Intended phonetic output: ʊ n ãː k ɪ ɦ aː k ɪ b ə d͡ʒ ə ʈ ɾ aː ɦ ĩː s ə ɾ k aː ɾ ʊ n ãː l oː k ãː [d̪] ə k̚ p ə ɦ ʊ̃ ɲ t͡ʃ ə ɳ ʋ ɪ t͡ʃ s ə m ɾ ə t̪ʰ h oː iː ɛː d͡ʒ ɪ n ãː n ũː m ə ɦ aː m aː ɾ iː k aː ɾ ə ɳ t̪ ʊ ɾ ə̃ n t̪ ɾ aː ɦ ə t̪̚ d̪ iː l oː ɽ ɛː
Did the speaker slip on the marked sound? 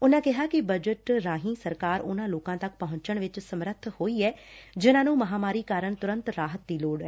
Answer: yes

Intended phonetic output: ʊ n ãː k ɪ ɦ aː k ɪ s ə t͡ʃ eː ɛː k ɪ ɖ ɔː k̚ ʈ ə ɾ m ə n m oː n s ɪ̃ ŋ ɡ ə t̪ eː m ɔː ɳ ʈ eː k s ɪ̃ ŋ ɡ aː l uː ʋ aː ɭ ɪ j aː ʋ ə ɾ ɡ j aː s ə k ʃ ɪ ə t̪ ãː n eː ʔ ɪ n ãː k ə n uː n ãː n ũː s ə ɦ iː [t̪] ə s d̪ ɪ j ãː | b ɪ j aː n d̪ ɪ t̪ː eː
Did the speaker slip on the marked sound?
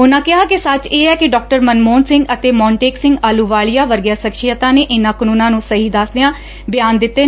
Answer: yes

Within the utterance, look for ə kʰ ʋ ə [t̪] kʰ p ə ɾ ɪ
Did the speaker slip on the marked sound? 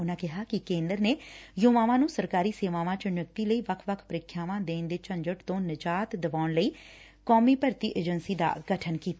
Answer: yes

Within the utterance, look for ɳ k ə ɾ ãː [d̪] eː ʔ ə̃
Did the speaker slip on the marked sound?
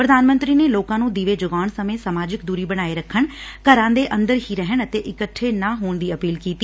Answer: no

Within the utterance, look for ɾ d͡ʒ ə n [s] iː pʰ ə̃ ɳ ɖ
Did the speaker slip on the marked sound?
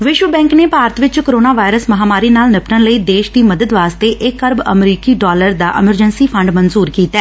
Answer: no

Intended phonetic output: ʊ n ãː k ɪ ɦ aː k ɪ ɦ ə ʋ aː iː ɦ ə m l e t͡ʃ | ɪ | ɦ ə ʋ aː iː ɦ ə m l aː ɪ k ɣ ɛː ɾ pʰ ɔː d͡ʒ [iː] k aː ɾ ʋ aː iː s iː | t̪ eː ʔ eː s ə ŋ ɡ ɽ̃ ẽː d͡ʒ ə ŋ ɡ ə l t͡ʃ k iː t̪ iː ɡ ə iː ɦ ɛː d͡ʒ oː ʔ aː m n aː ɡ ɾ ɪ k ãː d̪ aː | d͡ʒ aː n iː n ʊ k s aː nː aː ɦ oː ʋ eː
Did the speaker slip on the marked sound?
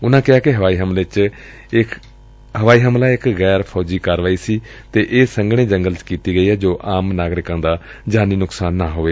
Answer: no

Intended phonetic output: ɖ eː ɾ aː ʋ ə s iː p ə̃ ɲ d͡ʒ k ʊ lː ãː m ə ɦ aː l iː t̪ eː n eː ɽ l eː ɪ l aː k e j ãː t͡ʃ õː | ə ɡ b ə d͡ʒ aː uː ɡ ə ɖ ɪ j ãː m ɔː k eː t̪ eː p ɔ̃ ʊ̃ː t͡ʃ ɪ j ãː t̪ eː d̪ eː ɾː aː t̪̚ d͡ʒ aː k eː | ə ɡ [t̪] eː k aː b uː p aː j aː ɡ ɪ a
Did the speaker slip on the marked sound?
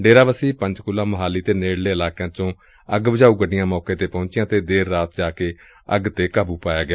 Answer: no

